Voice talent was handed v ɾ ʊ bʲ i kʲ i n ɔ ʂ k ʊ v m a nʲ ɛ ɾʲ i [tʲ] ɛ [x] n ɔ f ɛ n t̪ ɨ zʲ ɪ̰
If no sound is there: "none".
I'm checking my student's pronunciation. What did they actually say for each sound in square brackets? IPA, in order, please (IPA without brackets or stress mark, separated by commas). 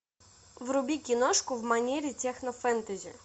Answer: tʲ, x